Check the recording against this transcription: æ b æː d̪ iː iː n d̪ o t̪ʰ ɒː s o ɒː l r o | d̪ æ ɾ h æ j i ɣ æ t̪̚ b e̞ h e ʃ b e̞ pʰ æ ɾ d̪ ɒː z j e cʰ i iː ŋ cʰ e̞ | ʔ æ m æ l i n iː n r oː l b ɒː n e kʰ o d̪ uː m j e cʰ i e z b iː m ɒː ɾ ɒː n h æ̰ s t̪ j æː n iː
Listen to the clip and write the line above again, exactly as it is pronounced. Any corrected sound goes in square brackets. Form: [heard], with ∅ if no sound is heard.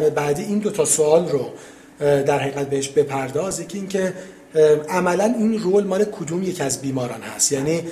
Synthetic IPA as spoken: [e] b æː d̪ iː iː n d̪ o t̪ʰ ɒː s o ɒː l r o | d̪ æ ɾ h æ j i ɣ æ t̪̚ b e̞ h e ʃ b e̞ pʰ æ ɾ d̪ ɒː z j e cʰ i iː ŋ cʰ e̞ | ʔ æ m æ l [æ] n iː n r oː l [m] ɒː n e kʰ o d̪ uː m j e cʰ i [æ] z b iː m ɒː ɾ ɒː n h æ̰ s t̪ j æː n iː